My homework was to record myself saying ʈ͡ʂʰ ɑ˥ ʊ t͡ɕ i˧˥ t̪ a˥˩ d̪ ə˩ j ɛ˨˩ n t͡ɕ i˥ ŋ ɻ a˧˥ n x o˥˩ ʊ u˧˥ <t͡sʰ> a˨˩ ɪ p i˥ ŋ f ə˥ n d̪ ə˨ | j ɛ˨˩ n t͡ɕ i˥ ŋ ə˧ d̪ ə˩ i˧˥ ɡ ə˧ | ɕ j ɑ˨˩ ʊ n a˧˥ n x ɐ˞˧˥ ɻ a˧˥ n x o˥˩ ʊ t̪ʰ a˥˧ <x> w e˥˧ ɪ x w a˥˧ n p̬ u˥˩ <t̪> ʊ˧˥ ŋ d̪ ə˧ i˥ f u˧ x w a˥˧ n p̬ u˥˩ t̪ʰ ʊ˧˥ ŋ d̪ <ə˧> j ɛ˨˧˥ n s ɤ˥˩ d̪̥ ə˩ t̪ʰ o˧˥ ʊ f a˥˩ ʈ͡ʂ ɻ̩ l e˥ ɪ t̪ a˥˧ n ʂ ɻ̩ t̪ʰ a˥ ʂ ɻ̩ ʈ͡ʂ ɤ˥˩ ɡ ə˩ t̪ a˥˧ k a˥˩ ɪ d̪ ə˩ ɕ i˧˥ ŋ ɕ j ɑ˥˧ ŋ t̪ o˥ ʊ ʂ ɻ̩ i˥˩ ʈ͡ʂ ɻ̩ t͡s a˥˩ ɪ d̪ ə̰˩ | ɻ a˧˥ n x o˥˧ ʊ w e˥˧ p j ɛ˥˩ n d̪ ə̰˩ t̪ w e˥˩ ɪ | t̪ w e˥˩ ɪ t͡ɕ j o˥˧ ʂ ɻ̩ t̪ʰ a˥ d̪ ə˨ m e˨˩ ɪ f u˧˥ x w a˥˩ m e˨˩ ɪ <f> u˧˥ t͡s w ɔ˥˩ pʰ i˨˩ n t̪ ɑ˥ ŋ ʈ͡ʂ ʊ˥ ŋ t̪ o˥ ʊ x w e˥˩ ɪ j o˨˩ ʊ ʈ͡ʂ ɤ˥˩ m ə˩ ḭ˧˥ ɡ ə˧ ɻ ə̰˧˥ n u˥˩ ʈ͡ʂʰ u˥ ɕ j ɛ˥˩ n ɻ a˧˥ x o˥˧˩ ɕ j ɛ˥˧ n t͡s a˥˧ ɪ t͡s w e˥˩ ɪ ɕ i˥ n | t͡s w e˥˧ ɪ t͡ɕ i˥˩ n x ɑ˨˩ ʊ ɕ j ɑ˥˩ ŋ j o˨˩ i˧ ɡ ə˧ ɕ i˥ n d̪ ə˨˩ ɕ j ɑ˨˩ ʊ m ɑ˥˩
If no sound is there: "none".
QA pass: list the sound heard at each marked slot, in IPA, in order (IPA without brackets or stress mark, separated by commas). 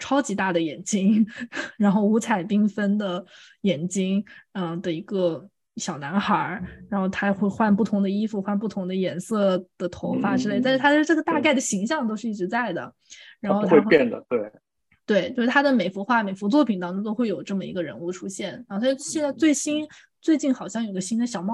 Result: t͡sʰ, x, t̪ʰ, ə˧, f